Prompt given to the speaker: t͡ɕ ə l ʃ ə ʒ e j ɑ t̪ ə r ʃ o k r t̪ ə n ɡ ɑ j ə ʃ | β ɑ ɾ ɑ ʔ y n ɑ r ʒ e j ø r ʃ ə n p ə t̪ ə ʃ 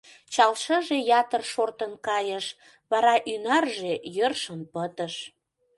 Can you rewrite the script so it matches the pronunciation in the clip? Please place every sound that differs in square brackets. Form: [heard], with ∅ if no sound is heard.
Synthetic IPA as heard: t͡ɕ [ɑ] l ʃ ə ʒ e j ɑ t̪ ə r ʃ o [∅] r t̪ ə n [k] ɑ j ə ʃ | β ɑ ɾ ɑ ʔ y n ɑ r ʒ e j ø r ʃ ə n p ə t̪ ə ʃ